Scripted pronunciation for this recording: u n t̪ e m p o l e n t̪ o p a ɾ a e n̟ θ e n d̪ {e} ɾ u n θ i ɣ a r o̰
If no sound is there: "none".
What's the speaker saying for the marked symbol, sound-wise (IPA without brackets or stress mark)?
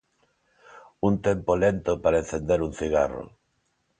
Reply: e